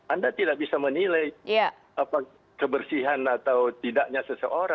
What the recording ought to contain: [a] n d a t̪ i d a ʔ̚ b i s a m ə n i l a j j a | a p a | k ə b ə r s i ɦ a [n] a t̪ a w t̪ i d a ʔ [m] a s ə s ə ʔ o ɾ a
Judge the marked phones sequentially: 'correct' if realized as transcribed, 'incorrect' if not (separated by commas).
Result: correct, correct, incorrect